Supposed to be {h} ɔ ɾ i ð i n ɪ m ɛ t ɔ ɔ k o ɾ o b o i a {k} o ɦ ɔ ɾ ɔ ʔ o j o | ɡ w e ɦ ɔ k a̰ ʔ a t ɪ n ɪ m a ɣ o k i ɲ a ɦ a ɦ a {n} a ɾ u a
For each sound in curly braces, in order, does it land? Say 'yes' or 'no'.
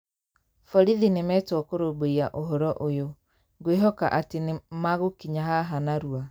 no, no, yes

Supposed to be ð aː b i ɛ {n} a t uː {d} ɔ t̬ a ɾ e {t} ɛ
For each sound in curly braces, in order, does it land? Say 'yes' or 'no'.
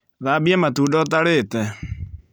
no, yes, yes

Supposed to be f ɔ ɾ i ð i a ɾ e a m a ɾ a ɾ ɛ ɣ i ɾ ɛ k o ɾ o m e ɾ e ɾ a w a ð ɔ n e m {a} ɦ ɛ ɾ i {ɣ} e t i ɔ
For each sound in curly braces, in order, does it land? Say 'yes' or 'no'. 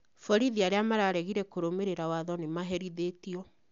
yes, no

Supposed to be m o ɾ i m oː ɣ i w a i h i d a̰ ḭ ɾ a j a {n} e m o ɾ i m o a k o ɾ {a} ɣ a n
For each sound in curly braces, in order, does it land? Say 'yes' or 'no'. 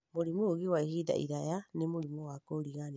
yes, no

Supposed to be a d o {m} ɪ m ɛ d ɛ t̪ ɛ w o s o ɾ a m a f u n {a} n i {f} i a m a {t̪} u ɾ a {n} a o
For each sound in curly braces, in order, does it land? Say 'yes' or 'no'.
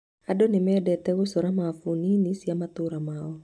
no, no, no, yes, no

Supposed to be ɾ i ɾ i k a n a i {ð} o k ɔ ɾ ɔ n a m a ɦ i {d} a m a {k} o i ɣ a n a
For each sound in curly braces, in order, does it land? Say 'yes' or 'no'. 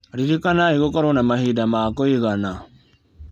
no, yes, yes

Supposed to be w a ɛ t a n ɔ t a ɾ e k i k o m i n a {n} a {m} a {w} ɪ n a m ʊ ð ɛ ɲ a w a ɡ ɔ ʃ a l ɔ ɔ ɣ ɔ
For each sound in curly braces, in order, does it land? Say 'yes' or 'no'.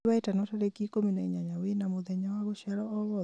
no, no, yes

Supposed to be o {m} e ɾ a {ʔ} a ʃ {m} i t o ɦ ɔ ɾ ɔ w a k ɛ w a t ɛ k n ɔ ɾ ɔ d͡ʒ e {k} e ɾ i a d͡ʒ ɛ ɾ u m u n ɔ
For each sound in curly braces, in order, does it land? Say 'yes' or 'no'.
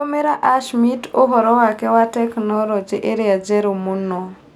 yes, yes, yes, no

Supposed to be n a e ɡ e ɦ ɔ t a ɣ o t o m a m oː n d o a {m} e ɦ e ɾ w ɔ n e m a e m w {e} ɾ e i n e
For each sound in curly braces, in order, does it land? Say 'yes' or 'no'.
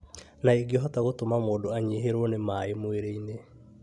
no, yes

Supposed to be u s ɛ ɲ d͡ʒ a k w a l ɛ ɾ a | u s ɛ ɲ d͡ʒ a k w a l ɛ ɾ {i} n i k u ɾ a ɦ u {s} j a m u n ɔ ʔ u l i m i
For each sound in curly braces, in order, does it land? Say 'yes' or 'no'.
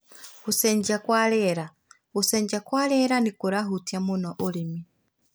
no, no

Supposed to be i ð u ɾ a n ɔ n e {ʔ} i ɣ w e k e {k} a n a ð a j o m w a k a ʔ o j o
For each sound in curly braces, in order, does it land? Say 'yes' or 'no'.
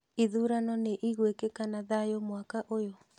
yes, yes

